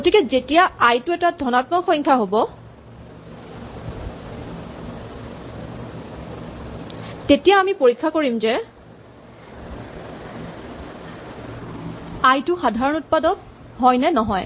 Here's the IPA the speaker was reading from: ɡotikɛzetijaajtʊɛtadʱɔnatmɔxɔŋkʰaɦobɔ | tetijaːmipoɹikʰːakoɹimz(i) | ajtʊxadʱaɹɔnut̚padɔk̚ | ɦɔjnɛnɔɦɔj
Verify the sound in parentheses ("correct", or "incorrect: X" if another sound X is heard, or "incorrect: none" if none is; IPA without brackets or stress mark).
incorrect: ɛ